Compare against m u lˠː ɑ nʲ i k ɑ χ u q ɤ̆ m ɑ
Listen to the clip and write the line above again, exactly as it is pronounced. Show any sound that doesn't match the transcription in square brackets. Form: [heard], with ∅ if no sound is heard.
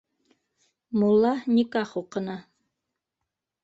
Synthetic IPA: m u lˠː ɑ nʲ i k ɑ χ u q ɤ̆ [n] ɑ